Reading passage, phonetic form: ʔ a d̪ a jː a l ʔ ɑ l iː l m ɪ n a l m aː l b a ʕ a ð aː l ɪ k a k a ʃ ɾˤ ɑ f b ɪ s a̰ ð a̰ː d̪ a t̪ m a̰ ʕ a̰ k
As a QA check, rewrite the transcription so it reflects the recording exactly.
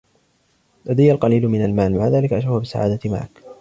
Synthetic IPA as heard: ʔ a d̪ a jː a l q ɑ l iː l m ɪ n a l m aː l m a ʕ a ð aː l ɪ k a ʔ a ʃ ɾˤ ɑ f b ɪ s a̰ ʕ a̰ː d̪ a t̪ m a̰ ʕ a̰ k